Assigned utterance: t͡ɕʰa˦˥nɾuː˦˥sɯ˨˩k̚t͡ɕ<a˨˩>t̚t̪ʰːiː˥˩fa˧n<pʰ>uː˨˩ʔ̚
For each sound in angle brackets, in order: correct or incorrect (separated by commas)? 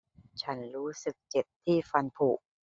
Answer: incorrect, correct